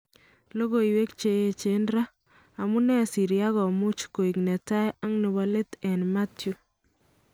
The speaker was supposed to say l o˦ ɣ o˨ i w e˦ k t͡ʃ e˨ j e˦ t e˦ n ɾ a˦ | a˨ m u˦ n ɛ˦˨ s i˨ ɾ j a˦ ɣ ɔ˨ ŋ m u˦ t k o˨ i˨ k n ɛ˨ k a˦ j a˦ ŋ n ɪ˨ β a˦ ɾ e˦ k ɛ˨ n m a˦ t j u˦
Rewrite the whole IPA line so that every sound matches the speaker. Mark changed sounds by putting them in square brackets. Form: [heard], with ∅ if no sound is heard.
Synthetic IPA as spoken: l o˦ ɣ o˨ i w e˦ k t͡ʃ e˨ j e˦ [t͡ʃ] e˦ n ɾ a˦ | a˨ m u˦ n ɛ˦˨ s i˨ ɾ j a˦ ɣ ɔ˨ [∅] m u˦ [t͡ʃ] k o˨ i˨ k n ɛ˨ [t] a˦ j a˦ ŋ n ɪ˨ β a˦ [l] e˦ [t] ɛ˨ n m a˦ t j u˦